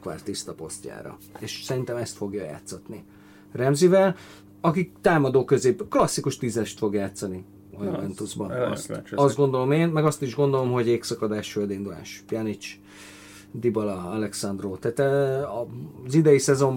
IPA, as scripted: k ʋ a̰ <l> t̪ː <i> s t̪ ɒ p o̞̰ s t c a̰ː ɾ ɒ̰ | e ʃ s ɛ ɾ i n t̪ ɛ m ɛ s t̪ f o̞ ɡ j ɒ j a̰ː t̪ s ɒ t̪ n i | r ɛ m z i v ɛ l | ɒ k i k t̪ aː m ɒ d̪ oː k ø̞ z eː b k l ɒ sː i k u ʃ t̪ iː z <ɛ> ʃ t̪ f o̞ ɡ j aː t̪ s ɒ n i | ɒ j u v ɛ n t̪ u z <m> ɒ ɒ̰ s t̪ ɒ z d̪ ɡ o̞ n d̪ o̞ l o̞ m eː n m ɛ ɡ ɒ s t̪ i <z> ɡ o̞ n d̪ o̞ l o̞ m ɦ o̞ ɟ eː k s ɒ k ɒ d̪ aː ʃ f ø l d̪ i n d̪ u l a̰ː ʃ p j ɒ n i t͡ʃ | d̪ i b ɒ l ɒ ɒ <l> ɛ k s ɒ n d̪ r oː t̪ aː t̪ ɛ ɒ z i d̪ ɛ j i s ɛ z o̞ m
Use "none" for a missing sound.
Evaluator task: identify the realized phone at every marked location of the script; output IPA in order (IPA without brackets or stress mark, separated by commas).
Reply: r, i, ɛ, b, ʒ, l